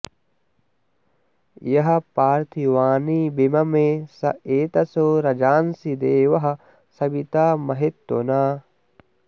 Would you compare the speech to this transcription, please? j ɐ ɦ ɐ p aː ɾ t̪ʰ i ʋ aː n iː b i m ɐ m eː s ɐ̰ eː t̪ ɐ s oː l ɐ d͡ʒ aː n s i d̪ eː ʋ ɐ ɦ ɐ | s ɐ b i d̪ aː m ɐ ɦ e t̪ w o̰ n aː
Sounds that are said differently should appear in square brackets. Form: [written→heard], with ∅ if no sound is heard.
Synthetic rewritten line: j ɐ ɦ ɐ p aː ɾ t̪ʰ i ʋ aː n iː b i m ɐ m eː s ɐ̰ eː t̪ ɐ s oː [l→ɾ] ɐ d͡ʒ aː n s i d̪ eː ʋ ɐ ɦ ɐ | s ɐ b i [d̪→t̪] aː m ɐ ɦ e t̪ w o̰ n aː